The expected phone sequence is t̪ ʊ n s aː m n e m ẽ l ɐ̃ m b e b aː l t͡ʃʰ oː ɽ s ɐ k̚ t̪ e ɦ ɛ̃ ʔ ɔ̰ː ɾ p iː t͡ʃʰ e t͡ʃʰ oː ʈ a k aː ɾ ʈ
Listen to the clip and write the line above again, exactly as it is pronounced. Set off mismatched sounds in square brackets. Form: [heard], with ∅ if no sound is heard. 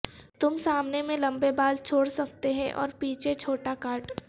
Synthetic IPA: t̪ ʊ [m] s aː m n e m ẽ l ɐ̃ m b e b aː l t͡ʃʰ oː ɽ s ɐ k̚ t̪ e ɦ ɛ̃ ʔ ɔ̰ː ɾ p iː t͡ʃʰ e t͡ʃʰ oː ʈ a k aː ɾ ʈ